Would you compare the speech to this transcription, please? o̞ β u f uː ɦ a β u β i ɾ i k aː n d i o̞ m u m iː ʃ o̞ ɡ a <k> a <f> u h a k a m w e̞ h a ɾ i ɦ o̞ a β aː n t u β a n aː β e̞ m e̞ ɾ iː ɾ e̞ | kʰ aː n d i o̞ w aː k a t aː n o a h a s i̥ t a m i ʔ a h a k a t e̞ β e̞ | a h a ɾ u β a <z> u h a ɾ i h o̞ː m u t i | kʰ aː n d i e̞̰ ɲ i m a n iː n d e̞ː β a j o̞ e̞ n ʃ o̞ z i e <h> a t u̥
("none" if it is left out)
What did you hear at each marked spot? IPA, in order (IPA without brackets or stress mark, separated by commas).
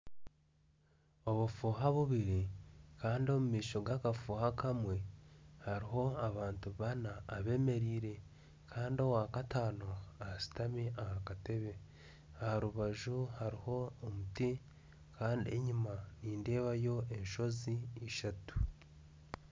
k, f, ʒ, ʃ